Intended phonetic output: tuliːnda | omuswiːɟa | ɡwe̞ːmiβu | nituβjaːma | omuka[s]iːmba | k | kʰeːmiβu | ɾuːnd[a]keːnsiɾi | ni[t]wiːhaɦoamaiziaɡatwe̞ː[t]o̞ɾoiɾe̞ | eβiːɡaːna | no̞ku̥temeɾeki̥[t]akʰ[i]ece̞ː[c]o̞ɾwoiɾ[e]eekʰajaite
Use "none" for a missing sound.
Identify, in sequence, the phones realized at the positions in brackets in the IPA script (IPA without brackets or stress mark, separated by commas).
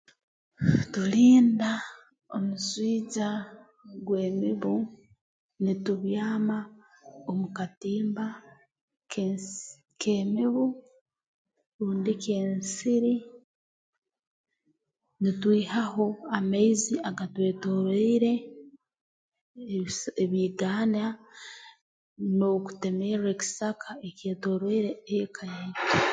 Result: t, i, t, t, s, a, t, e